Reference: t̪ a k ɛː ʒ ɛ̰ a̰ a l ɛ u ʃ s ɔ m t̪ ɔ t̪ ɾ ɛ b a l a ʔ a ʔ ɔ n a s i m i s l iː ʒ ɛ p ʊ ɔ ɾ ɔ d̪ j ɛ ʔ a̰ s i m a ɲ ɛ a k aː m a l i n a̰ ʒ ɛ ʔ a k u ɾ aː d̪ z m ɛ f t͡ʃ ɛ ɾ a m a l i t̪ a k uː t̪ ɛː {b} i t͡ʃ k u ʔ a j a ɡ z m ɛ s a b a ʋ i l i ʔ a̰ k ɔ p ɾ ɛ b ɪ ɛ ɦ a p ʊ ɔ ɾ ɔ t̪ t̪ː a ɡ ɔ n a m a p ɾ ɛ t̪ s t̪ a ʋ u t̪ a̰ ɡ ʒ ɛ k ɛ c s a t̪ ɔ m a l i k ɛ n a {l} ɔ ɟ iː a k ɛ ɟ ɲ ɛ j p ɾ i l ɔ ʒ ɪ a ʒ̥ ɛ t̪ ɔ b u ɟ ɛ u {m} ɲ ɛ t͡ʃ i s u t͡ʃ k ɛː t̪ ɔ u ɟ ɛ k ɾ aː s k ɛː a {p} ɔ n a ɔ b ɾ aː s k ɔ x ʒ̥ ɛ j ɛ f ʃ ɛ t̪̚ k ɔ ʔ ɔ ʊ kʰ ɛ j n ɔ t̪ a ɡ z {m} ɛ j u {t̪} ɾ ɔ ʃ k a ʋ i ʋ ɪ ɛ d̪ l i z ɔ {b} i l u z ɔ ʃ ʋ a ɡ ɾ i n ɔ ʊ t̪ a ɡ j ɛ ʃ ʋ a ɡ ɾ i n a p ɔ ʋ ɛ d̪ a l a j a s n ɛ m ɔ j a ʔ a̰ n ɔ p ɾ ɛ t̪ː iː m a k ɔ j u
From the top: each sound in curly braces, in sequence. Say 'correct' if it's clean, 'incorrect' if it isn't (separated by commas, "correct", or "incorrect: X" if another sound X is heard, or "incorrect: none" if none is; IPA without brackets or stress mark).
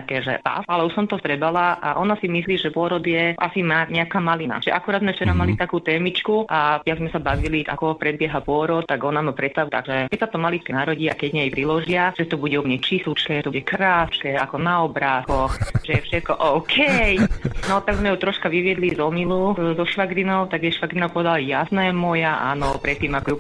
incorrect: m, incorrect: ɾ, correct, incorrect: k, correct, correct, incorrect: m